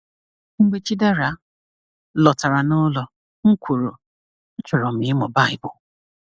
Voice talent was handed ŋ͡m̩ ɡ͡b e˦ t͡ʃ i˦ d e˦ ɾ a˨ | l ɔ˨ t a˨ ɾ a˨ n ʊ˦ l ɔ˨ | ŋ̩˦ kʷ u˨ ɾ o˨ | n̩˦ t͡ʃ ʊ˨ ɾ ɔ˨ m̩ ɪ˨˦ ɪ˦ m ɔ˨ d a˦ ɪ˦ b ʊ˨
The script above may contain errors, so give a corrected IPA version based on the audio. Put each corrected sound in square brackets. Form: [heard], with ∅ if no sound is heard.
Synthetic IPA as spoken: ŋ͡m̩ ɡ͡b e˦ t͡ʃ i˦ d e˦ ɾ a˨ | l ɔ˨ t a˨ ɾ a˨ n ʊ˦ l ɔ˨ | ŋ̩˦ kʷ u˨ ɾ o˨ | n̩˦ t͡ʃ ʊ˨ ɾ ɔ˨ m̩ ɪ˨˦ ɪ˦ m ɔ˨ [b] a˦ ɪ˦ b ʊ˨